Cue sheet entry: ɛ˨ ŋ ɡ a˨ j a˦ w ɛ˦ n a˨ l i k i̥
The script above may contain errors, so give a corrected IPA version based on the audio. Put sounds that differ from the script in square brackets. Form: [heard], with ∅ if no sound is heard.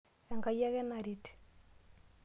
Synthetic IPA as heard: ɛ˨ ŋ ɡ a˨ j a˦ [ɣ] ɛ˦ n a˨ [ɾ] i [t] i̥

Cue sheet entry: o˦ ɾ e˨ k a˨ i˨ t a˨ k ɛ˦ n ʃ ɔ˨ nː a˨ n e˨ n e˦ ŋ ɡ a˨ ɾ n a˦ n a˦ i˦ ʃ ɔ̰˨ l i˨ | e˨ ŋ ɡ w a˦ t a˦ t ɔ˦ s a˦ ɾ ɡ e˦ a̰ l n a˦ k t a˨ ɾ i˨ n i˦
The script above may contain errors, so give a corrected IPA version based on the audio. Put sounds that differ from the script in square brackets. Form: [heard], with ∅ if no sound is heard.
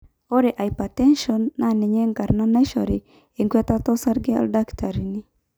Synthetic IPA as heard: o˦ ɾ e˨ [ʔ] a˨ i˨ [p] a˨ [t] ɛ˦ n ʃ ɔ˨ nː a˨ n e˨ [ɲ] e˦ ŋ ɡ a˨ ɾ n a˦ n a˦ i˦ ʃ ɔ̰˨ [ɾ] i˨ | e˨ ŋ ɡ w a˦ t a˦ t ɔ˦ s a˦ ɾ ɡ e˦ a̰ l [d] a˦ k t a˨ ɾ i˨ n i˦

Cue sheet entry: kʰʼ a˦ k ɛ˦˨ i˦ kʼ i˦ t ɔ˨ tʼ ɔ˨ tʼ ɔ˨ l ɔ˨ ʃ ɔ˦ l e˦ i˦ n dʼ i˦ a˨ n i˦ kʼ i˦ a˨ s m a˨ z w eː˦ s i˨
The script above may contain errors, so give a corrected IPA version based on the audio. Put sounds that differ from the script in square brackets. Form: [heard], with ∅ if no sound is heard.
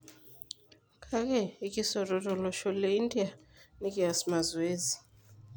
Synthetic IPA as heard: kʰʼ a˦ k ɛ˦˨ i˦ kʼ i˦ [s] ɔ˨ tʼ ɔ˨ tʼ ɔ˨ l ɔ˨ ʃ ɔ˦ l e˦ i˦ n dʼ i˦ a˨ n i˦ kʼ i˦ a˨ s m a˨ z w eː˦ [z] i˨

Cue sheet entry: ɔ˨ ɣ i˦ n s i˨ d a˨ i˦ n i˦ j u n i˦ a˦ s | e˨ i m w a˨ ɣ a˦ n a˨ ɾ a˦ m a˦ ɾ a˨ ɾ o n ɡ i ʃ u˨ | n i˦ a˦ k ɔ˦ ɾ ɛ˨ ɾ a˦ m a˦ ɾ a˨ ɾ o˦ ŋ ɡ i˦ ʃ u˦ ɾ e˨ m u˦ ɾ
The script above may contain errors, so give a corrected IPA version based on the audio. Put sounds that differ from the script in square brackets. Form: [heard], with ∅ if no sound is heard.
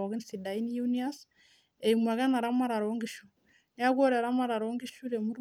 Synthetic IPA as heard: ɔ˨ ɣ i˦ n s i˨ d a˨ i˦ n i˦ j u n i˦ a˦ s | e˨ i m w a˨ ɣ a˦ n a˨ ɾ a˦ m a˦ ɾ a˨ ɾ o [ŋ] ɡ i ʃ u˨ | n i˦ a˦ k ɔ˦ ɾ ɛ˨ ɾ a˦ m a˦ ɾ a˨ ɾ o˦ ŋ ɡ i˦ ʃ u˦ ɾ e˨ m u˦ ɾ

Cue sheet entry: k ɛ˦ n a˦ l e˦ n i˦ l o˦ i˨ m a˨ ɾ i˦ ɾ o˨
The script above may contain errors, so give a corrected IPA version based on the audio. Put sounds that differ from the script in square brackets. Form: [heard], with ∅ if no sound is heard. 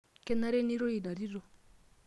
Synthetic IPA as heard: k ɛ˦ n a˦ [ɾ] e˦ n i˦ [ɾ] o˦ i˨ [n] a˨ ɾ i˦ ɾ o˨

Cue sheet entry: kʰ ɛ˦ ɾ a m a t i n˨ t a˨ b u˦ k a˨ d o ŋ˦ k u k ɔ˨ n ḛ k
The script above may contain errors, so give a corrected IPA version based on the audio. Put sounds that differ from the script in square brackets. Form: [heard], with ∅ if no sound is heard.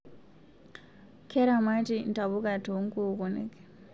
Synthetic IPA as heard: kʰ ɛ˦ ɾ a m a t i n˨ t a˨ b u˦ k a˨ [t] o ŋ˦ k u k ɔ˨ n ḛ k

